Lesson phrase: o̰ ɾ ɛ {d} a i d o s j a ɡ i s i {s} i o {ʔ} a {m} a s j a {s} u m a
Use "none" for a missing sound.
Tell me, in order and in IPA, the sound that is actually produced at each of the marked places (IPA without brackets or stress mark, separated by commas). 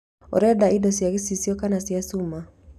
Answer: d, s, k, n, s